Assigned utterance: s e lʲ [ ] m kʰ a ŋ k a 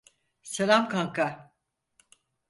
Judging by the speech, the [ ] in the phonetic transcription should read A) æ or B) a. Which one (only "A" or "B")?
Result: B